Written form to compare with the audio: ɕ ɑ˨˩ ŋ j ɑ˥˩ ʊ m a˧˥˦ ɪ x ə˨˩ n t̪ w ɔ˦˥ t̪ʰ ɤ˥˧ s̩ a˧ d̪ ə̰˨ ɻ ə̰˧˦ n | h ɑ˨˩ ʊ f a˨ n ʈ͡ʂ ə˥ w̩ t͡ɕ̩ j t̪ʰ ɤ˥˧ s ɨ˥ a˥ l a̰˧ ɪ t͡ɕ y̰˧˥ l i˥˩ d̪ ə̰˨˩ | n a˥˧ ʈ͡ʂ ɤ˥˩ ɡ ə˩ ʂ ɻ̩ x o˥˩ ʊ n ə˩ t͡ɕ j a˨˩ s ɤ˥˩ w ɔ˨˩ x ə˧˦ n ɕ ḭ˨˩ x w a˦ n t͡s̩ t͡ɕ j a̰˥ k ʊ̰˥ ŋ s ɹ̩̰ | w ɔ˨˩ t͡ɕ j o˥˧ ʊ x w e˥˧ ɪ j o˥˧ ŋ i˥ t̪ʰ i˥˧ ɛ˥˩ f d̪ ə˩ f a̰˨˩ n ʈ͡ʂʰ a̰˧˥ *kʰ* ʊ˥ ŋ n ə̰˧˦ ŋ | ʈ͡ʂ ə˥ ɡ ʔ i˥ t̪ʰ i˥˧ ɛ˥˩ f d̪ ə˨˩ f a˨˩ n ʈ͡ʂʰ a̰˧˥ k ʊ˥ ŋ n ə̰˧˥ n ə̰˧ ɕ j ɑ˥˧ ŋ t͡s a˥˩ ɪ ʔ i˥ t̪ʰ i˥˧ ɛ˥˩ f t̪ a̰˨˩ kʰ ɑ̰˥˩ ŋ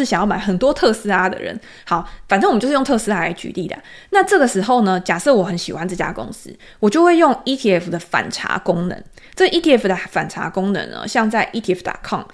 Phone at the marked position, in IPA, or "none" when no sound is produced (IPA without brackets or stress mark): k